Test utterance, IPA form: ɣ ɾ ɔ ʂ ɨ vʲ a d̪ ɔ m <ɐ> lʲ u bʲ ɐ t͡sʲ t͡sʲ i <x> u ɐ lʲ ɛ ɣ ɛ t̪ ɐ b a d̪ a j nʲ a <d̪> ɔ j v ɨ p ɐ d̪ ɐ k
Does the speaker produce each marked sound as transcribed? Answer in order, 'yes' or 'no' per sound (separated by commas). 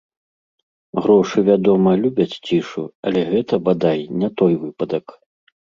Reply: yes, no, no